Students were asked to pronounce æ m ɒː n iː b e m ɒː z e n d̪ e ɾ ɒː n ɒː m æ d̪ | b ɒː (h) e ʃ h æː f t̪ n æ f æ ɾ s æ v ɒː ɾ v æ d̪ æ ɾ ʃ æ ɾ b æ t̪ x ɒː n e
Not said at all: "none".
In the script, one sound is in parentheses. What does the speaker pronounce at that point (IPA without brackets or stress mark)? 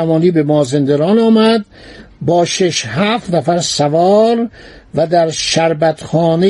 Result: ʃ